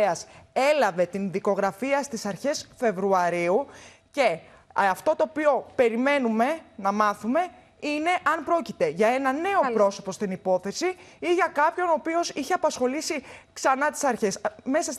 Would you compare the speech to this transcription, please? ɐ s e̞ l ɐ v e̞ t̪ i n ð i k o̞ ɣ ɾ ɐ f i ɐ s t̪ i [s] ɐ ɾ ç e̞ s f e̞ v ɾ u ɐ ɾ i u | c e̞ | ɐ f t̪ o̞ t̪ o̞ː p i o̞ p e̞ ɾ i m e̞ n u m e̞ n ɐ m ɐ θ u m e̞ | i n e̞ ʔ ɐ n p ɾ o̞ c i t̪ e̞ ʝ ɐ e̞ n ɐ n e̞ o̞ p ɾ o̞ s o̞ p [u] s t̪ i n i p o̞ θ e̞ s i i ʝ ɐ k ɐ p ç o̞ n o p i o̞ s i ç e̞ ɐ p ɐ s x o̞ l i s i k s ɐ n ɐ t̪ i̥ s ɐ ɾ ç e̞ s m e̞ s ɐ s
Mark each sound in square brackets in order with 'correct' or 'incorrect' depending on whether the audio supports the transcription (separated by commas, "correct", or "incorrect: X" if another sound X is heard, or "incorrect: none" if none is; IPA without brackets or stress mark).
correct, incorrect: o